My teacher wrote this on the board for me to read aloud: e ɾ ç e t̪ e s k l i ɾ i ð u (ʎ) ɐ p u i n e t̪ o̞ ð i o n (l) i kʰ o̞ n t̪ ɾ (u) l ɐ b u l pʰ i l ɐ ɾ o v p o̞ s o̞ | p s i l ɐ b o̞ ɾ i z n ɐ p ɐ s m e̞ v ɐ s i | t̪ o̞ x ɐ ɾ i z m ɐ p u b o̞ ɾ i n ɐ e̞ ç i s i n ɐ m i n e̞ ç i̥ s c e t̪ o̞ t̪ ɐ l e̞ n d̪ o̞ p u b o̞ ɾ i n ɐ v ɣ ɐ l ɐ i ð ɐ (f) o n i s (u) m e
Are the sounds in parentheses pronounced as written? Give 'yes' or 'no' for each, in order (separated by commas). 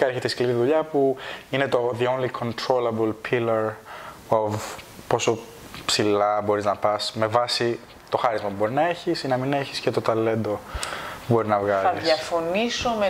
yes, yes, no, yes, no